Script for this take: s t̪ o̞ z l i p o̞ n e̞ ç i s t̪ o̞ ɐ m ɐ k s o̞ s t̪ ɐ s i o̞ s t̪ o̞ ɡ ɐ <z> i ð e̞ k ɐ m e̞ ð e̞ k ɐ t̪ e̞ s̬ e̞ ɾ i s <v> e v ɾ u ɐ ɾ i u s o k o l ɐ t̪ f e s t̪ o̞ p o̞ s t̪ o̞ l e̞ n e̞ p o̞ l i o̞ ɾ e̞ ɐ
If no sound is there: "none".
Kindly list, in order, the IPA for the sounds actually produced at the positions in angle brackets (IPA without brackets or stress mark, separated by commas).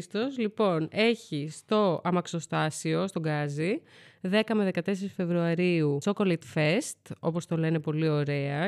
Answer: z, f